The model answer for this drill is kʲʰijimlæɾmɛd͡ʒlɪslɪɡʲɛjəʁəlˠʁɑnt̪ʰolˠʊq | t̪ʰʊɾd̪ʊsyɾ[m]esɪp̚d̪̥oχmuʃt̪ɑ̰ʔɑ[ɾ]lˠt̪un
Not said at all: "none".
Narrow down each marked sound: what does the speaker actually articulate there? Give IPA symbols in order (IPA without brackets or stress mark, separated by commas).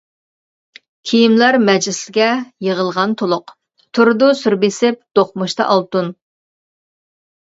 b, none